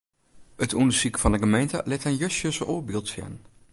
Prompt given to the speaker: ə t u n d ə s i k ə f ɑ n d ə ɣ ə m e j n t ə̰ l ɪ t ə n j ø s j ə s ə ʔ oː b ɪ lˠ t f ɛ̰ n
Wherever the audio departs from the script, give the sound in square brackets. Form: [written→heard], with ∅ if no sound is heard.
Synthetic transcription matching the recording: ə t u n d ə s i k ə f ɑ n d ə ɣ ə m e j n t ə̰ l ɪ t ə n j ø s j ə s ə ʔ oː b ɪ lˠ t f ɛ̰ n